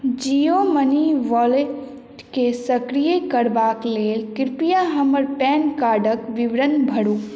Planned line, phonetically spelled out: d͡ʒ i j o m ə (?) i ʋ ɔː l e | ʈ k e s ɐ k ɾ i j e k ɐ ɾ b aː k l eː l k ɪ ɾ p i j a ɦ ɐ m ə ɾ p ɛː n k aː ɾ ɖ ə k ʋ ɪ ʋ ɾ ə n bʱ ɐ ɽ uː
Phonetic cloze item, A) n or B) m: A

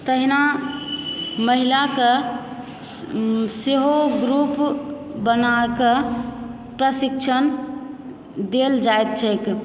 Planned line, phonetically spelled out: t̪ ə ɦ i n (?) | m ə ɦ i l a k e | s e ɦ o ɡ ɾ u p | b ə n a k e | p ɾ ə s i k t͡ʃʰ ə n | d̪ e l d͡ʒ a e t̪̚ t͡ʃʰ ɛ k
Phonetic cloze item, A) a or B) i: A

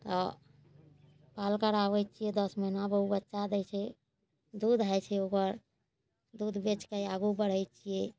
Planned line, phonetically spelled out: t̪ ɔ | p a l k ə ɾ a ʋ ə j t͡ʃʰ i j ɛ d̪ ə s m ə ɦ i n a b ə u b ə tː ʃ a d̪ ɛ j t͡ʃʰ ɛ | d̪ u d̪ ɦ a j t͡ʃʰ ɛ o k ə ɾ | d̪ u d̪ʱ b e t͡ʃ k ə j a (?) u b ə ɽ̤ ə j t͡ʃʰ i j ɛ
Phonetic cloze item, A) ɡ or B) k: A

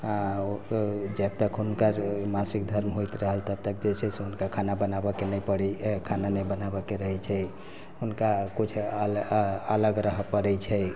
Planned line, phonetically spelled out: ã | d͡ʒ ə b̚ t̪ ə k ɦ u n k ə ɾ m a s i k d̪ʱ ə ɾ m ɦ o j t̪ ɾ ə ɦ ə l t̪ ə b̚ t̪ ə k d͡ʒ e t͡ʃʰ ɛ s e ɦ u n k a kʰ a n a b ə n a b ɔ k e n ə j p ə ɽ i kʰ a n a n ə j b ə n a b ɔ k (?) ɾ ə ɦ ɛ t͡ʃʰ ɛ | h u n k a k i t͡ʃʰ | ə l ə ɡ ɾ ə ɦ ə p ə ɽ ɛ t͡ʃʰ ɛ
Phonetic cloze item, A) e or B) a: A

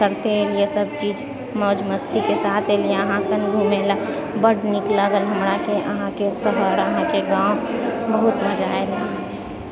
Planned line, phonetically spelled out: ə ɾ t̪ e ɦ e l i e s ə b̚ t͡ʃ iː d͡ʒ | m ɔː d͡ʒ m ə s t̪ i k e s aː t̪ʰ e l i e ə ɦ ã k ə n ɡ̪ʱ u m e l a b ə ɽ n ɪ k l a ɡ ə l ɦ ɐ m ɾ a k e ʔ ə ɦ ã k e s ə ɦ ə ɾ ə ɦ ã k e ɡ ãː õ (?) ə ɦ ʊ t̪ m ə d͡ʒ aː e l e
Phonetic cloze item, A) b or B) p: A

